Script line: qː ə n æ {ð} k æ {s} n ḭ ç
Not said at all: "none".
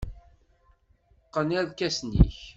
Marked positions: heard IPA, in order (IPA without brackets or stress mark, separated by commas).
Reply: ð, s